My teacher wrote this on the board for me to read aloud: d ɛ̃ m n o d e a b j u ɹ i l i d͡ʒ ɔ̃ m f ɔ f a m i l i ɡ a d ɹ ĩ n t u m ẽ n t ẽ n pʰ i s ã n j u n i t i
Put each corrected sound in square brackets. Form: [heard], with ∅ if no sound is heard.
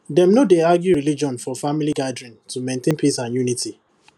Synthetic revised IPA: d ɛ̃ m n o d e a [ɡ] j u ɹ i l i d͡ʒ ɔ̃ [n] f ɔ f a m i l i ɡ a d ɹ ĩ n t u m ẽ n t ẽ n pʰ i s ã n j u n i t i